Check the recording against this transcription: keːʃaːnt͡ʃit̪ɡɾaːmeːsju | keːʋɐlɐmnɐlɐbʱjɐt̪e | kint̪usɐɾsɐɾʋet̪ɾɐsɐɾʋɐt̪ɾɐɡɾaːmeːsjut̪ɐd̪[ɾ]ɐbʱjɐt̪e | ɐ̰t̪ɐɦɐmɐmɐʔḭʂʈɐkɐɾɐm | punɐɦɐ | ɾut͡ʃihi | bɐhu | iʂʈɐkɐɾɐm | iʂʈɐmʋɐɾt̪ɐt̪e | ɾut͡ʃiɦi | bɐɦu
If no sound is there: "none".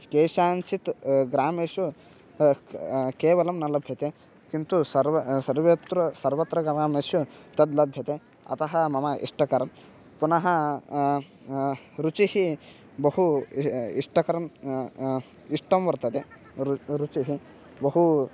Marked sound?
l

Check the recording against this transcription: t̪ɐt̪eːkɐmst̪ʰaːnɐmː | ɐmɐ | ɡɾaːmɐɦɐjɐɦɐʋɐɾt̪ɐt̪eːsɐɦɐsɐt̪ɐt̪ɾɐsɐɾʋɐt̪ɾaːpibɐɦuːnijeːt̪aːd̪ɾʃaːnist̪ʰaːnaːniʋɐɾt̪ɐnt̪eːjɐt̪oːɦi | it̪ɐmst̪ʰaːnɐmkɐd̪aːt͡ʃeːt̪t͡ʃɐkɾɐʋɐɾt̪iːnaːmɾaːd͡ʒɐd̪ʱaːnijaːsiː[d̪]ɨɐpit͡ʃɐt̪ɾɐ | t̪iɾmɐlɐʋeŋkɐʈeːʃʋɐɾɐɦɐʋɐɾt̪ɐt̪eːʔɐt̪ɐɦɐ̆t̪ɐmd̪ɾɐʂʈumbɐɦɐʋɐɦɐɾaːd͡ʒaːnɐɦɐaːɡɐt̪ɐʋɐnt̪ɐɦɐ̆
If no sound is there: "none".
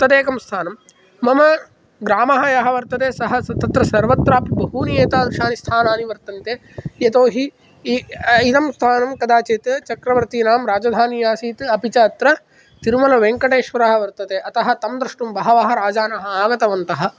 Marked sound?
t̪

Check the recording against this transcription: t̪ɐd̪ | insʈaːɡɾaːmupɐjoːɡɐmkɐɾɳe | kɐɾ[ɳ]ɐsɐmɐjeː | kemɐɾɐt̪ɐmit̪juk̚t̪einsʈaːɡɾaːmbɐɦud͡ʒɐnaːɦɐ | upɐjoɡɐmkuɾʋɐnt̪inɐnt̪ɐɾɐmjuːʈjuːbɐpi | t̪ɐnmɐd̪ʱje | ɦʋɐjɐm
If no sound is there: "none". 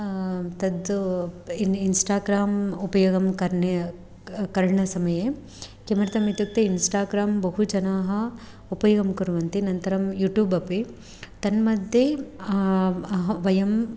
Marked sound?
ɳ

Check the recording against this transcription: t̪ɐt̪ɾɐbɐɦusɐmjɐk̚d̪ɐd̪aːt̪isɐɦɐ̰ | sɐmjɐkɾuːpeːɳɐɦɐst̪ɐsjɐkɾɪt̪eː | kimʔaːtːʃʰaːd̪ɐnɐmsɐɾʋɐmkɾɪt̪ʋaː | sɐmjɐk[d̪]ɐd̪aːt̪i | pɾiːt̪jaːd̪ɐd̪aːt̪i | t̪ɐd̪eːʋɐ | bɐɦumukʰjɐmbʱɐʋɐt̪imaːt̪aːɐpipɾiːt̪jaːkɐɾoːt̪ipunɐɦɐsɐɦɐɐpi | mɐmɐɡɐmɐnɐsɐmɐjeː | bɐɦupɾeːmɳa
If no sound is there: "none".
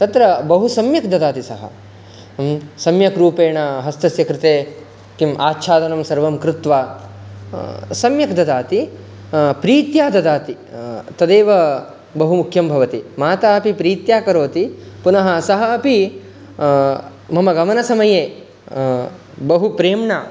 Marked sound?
d̪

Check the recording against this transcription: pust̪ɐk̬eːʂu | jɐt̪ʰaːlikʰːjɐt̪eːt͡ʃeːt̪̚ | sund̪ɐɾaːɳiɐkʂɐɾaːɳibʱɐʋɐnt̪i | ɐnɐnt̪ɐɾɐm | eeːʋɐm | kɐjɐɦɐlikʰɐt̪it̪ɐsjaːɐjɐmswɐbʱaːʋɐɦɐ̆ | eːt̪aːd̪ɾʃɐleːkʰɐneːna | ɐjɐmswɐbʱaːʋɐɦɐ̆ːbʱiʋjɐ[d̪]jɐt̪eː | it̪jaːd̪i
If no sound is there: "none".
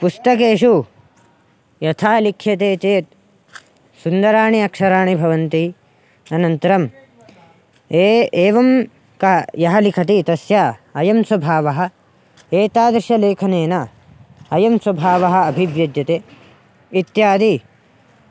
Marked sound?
d̪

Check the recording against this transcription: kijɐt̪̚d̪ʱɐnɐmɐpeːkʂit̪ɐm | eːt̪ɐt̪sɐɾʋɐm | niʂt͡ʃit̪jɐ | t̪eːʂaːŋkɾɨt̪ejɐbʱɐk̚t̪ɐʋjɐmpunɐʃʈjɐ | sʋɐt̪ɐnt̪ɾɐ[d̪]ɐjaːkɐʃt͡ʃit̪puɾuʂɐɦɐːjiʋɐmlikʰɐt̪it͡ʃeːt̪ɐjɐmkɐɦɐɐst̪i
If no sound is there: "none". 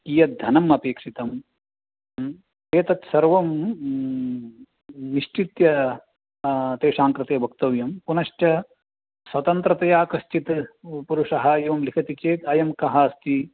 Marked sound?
t̪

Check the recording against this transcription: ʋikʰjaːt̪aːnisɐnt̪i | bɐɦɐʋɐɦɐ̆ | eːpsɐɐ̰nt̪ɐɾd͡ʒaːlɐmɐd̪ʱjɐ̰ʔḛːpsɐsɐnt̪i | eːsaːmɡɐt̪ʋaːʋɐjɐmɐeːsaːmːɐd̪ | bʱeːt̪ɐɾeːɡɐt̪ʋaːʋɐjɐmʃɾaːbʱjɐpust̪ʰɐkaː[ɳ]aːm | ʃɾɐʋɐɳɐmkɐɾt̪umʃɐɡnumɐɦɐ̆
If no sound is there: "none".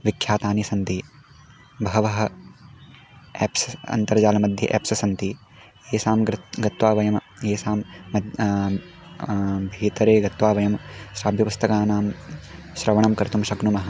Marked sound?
n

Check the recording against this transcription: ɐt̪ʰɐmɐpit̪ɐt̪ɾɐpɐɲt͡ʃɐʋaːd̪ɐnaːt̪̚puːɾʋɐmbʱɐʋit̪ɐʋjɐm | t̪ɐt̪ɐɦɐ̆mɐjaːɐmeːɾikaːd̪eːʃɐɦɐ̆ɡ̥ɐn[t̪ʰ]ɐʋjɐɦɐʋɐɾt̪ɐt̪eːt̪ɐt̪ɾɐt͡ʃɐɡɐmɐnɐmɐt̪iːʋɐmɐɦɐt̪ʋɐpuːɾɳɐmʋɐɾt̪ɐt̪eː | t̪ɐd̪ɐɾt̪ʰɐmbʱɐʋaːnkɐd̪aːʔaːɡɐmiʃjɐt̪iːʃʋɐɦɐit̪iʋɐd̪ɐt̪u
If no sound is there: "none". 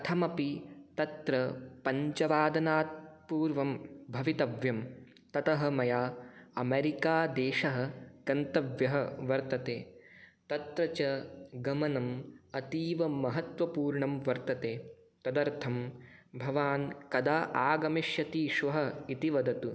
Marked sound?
t̪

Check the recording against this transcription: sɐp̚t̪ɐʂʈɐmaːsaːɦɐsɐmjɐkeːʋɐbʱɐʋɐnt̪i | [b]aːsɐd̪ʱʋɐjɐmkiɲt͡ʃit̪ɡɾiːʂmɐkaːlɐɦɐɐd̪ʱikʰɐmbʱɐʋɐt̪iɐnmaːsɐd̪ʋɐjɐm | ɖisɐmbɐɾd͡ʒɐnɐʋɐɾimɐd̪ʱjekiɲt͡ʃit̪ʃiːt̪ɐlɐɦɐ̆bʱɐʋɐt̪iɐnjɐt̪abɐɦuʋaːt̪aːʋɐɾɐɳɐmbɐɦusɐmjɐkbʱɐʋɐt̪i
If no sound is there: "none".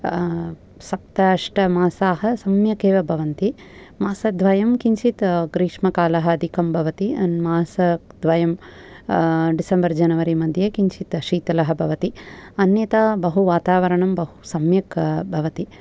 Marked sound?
m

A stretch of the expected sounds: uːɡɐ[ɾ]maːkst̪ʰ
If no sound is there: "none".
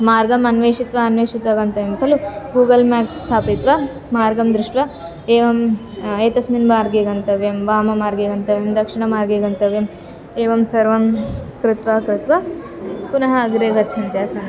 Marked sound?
l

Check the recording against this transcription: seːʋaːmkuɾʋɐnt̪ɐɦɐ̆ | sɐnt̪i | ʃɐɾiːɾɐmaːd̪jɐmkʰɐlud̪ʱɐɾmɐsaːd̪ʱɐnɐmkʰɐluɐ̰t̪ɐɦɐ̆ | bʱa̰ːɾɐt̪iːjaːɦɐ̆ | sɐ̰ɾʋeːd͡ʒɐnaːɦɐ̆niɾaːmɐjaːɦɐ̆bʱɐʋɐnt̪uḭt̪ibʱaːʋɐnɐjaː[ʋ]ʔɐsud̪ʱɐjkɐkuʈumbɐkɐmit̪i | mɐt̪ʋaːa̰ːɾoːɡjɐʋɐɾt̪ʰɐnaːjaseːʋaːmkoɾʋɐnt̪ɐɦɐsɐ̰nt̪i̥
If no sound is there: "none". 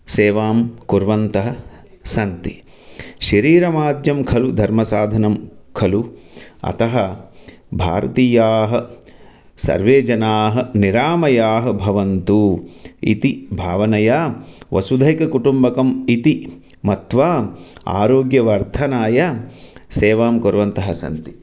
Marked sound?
ʋ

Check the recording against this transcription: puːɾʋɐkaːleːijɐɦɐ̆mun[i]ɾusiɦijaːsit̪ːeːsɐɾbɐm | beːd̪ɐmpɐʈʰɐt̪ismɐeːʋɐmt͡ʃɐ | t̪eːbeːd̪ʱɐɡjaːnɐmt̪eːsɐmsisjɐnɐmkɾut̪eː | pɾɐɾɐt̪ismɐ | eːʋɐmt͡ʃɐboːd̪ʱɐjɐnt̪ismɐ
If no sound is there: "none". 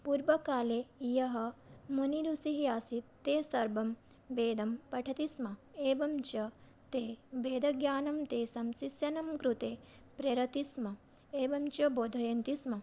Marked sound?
i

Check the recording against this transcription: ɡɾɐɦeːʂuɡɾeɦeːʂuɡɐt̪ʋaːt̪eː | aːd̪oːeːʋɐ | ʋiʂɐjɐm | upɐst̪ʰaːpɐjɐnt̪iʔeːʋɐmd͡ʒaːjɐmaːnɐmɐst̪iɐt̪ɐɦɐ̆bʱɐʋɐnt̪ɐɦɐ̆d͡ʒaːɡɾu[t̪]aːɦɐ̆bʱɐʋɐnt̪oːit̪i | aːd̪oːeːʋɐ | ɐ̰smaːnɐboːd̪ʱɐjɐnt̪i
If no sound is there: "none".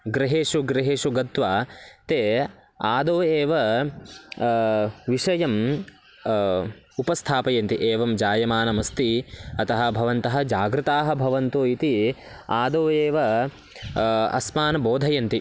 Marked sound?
t̪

